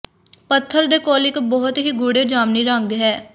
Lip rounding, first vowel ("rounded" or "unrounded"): unrounded